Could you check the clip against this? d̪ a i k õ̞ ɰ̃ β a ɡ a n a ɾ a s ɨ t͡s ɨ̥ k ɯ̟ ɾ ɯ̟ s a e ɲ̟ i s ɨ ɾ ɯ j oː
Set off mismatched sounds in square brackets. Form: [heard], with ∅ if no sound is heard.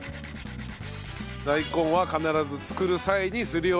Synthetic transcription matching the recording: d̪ a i k õ̞ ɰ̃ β a [k] a n a ɾ a [z] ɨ t͡s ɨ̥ k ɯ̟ ɾ ɯ̟ s a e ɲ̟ i s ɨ ɾ ɯ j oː